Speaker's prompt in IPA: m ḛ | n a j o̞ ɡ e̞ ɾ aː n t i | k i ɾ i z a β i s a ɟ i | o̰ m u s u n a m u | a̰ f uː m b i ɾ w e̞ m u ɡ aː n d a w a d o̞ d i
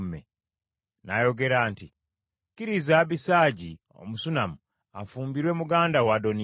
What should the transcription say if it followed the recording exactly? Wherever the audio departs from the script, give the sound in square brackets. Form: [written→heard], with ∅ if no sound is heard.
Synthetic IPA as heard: m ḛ | n a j o̞ ɡ e̞ ɾ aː n t i | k i ɾ i z a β i s a ɟ i | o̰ m u s u n a m u | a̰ f uː m b i ɾ w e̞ m u ɡ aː n d a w a d o̞ [d→n] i